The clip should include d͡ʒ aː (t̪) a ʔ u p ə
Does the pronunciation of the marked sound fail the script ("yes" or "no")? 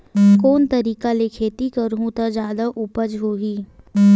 yes